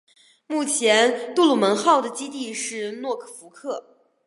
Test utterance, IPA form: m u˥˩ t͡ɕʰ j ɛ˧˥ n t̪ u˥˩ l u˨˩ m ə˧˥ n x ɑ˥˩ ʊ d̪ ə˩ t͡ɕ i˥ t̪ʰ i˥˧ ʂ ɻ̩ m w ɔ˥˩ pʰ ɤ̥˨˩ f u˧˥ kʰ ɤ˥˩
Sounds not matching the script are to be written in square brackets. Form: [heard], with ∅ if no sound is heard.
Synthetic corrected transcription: m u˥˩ t͡ɕʰ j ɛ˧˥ n t̪ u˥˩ l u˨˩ m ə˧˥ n x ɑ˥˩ ʊ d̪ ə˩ t͡ɕ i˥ [t̪] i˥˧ ʂ ɻ̩ [n] w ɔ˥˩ [kʰ] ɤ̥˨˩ f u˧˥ kʰ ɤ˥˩

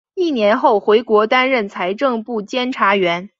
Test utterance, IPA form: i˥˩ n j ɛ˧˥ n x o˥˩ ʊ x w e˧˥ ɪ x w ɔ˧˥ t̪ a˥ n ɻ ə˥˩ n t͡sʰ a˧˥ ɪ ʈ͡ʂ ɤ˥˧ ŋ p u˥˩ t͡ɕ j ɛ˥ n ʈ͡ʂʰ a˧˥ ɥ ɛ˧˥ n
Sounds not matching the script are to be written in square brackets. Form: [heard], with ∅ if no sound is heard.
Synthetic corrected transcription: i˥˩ n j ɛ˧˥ n x o˥˩ ʊ x w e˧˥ ɪ [k] w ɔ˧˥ t̪ a˥ n ɻ ə˥˩ n t͡sʰ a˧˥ ɪ ʈ͡ʂ ɤ˥˧ ŋ p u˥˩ t͡ɕ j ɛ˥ n ʈ͡ʂʰ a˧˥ ɥ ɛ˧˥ n

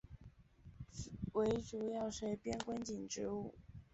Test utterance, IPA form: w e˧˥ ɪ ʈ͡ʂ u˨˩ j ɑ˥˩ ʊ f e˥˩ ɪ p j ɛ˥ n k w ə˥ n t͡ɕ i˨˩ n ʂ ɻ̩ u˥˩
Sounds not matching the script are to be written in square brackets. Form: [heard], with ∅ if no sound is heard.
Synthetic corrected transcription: w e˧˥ ɪ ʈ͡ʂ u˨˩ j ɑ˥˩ ʊ [ʂ] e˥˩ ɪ p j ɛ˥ n k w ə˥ n t͡ɕ i˨˩ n [ʈ͡ʂ] ɻ̩ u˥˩

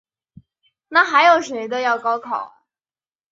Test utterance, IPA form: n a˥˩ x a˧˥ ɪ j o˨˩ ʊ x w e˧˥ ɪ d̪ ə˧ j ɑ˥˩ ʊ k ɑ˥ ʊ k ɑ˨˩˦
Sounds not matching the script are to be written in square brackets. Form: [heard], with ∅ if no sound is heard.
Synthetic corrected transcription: n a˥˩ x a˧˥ ɪ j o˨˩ ʊ [ʂ] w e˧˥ ɪ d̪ ə˧ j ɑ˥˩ ʊ k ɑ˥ ʊ [kʰ] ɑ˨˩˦

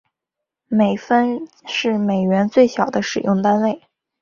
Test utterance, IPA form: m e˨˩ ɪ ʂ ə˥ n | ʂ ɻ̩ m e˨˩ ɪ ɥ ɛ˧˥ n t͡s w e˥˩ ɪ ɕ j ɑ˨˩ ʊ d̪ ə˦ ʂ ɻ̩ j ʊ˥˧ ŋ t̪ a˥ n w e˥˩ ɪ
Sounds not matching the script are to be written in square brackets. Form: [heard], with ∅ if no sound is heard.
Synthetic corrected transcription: m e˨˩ ɪ [f] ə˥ n | ʂ ɻ̩ m e˨˩ ɪ ɥ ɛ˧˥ n t͡s w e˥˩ ɪ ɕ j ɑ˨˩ ʊ d̪ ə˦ ʂ ɻ̩ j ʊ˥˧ ŋ t̪ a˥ n w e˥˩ ɪ

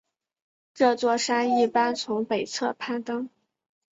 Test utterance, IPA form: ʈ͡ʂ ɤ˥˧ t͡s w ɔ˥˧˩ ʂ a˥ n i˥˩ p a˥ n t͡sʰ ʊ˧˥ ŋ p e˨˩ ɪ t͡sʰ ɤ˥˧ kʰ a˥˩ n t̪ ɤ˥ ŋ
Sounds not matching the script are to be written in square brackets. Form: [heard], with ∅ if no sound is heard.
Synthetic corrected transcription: ʈ͡ʂ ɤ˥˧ t͡s w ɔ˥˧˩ ʂ a˥ n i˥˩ p a˥ n t͡sʰ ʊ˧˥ ŋ p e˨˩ ɪ t͡sʰ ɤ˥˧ [pʰ] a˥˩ n t̪ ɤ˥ ŋ

